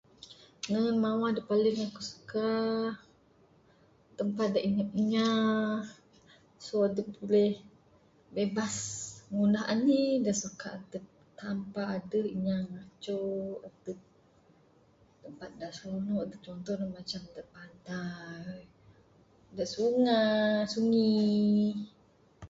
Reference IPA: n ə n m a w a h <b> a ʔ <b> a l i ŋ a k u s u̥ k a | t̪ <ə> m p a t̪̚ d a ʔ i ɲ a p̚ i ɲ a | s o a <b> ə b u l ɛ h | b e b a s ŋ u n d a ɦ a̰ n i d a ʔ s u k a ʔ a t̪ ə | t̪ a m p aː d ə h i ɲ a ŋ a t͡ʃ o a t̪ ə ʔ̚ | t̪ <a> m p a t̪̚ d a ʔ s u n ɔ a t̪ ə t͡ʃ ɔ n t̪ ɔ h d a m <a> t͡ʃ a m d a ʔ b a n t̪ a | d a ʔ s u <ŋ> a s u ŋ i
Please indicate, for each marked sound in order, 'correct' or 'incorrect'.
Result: incorrect, incorrect, correct, incorrect, incorrect, correct, correct

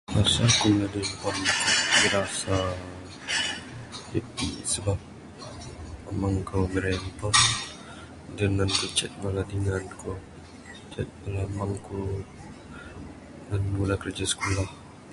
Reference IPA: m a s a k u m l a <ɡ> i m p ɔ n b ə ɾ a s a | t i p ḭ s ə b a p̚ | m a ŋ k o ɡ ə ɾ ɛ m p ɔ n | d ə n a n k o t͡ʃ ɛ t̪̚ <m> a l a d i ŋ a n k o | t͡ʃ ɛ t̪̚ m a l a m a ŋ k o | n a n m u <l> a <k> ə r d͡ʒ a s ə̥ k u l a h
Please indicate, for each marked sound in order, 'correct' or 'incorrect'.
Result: incorrect, correct, correct, correct

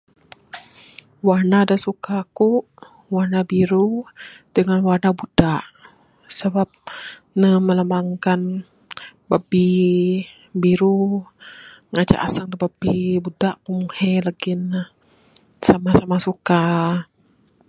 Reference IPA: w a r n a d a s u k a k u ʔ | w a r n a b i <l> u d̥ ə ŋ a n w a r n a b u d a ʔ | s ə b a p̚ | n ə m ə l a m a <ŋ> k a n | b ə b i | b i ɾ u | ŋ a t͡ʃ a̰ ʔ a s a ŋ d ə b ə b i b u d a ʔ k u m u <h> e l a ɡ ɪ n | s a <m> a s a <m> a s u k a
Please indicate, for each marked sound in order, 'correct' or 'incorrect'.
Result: incorrect, correct, correct, correct, correct

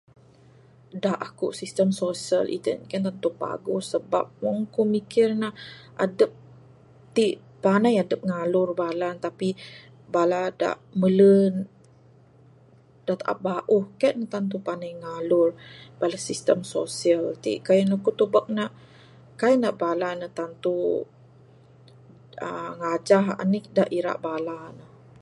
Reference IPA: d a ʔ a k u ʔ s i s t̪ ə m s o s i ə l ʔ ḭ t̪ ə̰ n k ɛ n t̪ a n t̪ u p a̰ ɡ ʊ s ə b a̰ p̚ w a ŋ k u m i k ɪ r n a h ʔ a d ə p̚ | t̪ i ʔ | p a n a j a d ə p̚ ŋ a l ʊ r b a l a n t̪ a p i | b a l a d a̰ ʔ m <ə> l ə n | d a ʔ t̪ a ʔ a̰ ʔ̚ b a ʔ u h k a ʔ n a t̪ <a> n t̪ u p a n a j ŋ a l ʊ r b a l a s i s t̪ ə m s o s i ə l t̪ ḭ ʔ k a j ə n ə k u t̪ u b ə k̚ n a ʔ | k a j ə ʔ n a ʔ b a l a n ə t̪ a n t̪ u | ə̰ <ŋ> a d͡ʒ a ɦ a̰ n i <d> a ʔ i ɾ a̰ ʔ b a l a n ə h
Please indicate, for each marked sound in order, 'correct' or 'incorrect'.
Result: correct, correct, correct, correct

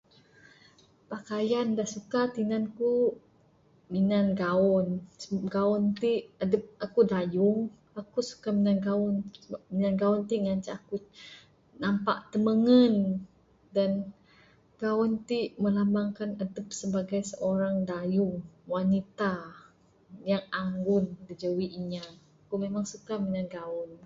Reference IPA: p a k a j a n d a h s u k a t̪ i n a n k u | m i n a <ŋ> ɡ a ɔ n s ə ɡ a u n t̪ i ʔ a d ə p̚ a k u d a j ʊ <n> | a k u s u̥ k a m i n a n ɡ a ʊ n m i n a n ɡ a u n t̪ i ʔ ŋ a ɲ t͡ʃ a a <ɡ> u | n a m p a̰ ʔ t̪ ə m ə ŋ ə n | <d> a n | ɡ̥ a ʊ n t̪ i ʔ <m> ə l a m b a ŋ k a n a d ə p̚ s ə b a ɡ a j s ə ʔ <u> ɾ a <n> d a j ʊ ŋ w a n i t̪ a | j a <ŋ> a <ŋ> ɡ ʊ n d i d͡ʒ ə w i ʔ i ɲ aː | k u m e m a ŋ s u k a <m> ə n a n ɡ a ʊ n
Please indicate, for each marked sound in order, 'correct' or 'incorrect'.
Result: incorrect, incorrect, incorrect, correct, correct, incorrect, incorrect, correct, correct, correct

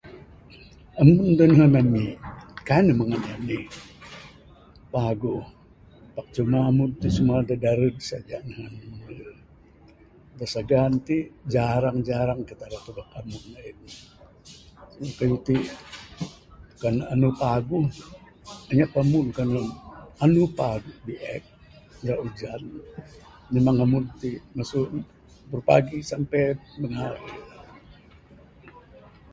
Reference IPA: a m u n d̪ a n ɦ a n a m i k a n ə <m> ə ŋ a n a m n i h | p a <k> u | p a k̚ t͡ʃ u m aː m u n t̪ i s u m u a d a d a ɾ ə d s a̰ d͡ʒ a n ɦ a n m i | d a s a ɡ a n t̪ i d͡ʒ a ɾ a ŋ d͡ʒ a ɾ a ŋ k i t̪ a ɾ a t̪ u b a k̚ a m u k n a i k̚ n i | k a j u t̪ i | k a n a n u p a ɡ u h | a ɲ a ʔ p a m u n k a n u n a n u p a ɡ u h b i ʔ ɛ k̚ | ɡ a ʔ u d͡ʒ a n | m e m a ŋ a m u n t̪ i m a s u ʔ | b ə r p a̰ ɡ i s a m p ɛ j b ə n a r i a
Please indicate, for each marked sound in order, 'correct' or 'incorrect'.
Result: correct, incorrect

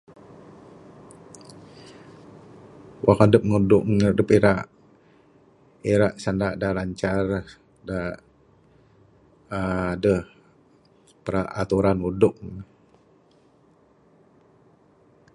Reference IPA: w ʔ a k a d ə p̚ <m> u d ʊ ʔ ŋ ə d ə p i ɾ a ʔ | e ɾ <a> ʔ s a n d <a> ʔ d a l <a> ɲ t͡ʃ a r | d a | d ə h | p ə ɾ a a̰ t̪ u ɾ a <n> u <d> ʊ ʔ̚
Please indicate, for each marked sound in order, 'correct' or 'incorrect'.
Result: incorrect, correct, correct, correct, correct, correct

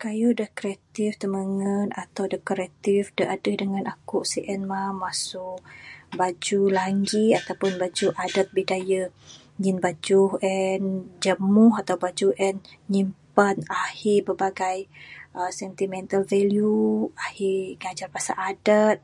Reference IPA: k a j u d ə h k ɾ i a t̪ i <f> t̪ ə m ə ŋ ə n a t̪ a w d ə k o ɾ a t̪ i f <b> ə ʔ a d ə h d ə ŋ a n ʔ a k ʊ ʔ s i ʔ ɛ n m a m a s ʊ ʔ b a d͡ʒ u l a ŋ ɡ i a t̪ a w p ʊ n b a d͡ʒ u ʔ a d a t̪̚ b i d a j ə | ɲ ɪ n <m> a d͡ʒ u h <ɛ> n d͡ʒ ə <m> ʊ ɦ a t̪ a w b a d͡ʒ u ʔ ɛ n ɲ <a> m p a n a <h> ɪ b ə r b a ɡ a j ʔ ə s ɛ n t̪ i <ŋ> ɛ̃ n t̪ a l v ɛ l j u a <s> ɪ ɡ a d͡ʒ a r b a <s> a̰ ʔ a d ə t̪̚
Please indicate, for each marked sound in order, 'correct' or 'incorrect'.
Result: correct, incorrect, incorrect, correct, correct, incorrect, correct, incorrect, incorrect, correct

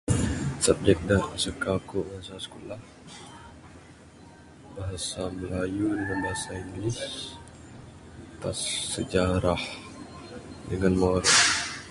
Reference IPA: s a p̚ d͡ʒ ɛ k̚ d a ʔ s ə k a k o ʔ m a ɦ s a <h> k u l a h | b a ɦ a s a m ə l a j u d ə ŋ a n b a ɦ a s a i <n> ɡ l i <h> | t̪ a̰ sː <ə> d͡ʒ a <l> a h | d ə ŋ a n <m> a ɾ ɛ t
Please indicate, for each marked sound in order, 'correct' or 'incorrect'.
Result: incorrect, incorrect, incorrect, correct, incorrect, correct

